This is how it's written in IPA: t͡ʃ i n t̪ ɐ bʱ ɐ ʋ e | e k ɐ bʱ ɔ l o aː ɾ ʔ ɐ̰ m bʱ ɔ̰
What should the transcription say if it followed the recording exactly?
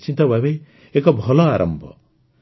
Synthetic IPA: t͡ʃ i n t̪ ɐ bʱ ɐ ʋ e | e k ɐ bʱ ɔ l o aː ɾ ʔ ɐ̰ m bʱ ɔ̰